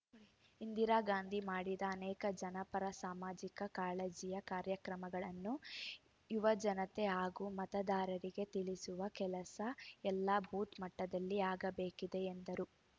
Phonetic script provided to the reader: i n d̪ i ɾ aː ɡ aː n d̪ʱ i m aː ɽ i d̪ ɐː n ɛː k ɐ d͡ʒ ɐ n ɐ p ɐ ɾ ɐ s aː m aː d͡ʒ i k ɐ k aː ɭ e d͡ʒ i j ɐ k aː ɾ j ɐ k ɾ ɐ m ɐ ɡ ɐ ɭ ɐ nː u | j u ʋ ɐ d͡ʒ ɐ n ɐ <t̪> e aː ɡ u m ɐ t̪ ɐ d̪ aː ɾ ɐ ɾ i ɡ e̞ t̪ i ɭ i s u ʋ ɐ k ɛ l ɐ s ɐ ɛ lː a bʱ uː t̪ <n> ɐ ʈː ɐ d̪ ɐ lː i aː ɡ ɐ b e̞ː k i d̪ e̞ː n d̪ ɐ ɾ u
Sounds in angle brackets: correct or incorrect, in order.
correct, incorrect

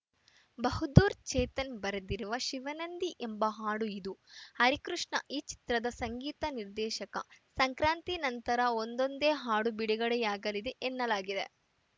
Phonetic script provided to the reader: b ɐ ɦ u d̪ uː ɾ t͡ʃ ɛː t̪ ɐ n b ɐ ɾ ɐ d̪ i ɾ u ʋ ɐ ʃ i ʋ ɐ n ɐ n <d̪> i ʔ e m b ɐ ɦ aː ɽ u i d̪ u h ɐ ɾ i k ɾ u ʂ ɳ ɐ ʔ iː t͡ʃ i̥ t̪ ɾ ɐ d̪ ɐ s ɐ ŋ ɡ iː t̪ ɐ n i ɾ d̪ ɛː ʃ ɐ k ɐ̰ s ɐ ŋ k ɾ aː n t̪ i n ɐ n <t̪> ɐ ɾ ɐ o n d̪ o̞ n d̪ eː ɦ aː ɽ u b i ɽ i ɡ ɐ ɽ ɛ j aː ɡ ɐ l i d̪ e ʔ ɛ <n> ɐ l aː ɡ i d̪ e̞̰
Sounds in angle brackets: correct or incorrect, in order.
correct, correct, incorrect

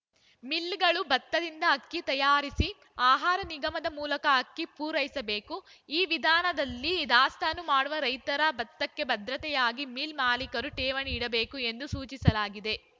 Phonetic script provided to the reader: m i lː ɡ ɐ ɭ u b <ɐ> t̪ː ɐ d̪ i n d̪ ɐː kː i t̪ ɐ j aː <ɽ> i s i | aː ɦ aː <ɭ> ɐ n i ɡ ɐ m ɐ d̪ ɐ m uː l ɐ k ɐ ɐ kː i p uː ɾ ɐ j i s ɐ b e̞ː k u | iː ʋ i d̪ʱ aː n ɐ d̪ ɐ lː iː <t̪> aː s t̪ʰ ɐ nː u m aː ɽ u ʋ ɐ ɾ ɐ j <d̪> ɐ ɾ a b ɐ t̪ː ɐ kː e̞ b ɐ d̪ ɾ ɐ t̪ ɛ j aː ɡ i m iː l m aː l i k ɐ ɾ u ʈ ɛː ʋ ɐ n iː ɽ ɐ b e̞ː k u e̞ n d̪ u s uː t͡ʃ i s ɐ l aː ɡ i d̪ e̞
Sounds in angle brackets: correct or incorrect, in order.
correct, incorrect, incorrect, incorrect, incorrect

